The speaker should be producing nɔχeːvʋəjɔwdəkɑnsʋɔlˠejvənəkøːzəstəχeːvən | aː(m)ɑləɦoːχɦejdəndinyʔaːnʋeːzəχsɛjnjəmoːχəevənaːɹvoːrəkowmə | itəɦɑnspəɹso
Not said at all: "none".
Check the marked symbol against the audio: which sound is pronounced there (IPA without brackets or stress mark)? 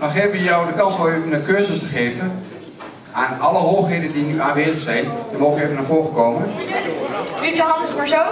n